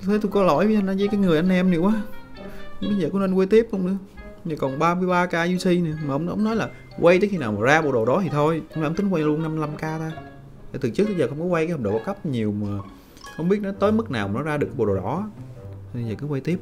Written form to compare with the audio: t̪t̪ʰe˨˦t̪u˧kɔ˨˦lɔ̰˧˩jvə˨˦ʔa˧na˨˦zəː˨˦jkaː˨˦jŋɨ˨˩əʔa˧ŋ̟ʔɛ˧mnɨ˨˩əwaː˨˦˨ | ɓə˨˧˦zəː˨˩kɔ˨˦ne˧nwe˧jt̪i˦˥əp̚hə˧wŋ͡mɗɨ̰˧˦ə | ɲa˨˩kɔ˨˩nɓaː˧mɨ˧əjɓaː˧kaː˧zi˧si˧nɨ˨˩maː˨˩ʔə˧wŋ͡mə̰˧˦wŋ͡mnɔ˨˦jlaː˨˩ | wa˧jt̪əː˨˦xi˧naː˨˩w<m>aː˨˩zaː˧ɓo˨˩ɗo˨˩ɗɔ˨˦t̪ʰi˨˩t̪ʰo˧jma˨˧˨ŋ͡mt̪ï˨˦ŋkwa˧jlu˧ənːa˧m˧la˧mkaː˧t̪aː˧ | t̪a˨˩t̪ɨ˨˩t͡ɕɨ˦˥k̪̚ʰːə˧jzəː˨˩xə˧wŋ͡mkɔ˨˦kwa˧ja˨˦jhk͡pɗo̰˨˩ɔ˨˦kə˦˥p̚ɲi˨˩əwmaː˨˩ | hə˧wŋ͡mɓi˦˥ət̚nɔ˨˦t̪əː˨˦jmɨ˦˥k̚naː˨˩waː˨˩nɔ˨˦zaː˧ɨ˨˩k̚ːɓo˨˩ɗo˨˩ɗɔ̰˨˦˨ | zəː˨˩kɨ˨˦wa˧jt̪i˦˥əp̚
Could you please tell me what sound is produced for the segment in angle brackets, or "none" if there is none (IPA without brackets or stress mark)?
m